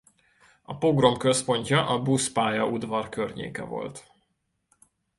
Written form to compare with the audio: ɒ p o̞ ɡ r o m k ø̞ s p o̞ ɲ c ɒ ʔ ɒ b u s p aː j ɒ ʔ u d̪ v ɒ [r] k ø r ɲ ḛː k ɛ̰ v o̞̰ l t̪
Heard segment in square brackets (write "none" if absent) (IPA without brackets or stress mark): r